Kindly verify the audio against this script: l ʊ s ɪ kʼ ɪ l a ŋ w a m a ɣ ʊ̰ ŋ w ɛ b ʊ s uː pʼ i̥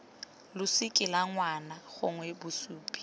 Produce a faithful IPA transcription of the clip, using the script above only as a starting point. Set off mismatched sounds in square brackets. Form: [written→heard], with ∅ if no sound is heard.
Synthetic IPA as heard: l ʊ s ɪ kʼ ɪ l a ŋ w a [m→n] a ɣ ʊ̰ ŋ w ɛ b ʊ s uː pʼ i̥